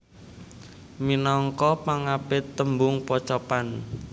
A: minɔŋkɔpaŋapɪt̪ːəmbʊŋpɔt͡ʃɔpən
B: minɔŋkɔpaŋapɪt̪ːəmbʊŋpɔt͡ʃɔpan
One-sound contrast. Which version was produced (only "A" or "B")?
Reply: B